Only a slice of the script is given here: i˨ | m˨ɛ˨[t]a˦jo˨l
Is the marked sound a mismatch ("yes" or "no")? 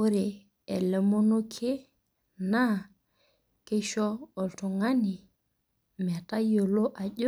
no